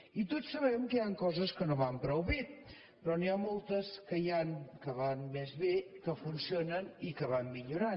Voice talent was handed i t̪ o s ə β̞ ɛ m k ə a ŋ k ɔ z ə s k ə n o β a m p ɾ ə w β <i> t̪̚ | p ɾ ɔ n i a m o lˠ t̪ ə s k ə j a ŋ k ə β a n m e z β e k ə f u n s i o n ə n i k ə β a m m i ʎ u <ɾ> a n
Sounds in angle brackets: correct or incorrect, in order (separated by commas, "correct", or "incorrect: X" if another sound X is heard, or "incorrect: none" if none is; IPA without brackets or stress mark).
correct, correct